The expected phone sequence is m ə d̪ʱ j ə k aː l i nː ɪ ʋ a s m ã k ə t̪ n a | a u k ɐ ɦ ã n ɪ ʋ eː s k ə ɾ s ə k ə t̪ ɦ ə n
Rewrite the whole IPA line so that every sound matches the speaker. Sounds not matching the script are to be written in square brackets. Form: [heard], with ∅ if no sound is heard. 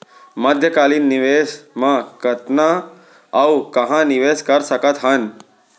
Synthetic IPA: m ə d̪ʱ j ə k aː l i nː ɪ ʋ [e] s m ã k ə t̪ n a | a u k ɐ ɦ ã n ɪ ʋ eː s k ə ɾ s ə k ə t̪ ɦ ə n